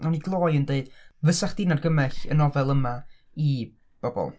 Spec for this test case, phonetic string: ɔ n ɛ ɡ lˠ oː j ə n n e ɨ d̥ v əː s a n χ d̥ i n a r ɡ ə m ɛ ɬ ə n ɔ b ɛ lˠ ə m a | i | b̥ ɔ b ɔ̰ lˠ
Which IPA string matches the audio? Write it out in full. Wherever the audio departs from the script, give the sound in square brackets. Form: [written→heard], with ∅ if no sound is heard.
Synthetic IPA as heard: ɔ n [ɛ→i] ɡ lˠ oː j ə n [n→d] e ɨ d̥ v [əː→ə] s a [n→∅] χ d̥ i n a r ɡ ə m ɛ ɬ ə n ɔ [b→v] ɛ lˠ ə m a | i | b̥ ɔ b ɔ̰ lˠ